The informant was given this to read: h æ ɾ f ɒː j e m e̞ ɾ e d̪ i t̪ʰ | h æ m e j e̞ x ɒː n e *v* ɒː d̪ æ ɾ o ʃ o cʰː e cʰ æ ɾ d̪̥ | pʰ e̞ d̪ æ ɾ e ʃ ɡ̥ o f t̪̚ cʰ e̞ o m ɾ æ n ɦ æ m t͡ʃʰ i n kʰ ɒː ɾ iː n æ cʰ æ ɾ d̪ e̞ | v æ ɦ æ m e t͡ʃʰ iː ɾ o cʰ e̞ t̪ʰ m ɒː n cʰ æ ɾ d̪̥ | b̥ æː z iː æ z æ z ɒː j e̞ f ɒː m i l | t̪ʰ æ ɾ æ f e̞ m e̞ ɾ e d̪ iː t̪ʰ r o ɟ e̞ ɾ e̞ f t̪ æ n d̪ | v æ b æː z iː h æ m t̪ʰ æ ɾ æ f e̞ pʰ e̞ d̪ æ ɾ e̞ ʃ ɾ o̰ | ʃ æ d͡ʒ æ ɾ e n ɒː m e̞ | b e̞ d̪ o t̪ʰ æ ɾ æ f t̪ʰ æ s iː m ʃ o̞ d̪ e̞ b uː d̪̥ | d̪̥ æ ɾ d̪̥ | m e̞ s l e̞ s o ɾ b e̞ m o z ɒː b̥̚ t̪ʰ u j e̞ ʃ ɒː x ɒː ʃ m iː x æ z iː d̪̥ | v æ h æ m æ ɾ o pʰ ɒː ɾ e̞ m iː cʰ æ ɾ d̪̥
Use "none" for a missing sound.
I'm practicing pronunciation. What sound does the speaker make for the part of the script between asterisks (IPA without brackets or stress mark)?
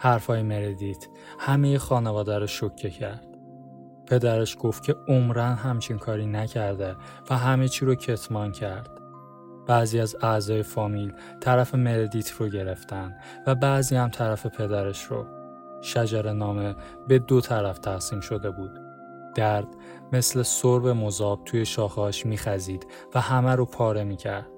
v